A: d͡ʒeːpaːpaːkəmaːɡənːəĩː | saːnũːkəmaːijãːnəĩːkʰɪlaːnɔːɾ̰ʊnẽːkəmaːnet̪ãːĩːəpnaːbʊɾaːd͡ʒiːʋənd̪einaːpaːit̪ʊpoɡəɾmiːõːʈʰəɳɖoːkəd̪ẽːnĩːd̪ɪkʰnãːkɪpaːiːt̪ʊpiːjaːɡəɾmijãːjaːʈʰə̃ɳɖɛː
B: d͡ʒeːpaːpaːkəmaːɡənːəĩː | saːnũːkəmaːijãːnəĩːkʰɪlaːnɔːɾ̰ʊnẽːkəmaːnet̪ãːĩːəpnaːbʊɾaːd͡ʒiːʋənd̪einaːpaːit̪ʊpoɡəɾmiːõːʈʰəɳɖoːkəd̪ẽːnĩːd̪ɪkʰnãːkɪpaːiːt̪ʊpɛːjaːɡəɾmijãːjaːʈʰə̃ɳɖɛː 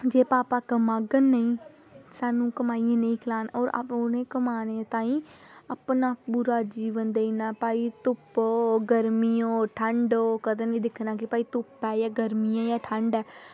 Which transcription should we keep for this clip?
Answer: B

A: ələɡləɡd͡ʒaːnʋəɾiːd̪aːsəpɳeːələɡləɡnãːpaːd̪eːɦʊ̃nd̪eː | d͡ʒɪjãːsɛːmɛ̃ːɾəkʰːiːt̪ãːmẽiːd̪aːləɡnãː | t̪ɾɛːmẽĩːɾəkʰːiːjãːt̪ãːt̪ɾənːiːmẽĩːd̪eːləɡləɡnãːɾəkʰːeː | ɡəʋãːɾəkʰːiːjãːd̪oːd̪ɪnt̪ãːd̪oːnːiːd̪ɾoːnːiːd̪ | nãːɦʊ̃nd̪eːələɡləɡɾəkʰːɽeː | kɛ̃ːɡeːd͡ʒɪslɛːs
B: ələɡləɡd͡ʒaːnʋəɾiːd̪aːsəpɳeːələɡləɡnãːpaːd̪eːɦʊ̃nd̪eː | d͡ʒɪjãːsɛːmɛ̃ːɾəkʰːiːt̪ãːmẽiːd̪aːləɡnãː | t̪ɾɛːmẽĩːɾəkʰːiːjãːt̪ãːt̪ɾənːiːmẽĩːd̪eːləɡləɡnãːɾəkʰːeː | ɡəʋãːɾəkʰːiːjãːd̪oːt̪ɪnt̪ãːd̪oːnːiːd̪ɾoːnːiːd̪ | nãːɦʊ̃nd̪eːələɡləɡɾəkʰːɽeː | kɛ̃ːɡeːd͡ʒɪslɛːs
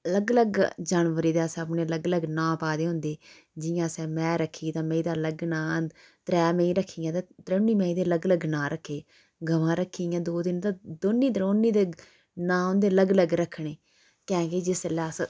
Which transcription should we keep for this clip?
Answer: A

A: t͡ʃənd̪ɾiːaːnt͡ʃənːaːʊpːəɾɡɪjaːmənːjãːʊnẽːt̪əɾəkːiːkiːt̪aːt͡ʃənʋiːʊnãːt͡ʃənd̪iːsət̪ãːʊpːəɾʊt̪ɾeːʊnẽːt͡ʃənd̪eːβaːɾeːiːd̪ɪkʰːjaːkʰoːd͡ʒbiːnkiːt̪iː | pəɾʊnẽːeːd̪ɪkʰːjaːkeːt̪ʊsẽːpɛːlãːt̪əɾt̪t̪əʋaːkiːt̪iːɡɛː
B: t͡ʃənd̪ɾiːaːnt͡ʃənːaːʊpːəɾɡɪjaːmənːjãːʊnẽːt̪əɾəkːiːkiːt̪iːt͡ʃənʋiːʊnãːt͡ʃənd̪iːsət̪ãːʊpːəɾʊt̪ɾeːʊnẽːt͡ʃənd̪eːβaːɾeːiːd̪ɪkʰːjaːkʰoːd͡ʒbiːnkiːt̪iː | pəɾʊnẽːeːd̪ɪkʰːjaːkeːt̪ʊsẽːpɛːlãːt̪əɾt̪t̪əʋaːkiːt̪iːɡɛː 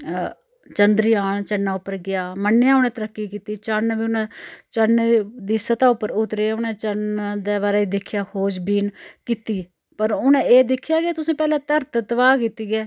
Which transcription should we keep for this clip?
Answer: B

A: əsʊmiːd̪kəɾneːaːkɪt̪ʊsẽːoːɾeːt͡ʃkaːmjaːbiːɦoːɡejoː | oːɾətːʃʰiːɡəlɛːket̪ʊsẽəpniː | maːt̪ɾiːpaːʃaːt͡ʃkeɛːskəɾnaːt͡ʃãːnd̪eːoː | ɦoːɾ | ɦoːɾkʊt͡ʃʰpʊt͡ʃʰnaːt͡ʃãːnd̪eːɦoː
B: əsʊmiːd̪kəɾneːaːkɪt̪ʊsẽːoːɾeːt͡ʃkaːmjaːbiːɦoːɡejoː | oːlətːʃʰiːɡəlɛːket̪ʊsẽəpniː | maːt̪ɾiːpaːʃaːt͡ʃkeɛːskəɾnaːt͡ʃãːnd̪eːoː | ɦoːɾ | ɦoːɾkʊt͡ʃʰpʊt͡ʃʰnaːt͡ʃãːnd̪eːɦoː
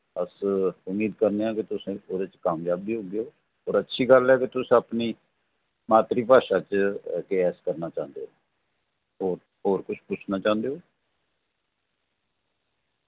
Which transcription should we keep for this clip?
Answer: A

